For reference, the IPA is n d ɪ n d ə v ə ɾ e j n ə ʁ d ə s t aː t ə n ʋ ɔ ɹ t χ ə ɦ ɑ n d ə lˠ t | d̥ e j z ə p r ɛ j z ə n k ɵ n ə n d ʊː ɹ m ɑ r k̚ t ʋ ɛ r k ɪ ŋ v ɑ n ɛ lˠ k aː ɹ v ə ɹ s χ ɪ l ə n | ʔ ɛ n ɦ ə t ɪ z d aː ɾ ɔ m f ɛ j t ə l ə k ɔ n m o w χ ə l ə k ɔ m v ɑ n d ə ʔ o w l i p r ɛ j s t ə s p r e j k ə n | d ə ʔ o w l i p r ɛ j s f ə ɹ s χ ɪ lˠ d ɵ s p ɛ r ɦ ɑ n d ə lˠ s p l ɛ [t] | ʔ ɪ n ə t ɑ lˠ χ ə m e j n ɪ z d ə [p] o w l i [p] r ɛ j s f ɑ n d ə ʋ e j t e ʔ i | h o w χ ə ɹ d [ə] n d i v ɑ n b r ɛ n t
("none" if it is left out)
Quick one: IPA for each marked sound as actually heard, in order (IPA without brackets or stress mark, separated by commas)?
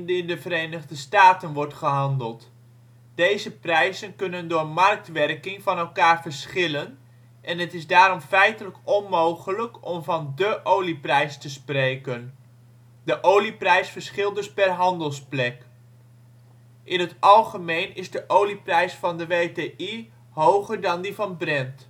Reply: k, ʔ, p, ɑ